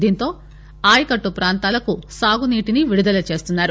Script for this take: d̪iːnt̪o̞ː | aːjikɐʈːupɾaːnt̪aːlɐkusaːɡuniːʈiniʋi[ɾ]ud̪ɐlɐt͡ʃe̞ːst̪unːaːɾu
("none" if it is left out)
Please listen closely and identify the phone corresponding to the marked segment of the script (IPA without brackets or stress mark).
ɽ